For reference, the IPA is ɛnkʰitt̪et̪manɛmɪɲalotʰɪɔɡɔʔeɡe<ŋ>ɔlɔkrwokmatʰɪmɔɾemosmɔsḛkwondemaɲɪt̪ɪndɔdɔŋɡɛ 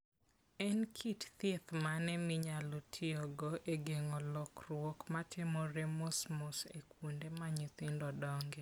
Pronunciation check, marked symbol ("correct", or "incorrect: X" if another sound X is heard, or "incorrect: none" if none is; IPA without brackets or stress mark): correct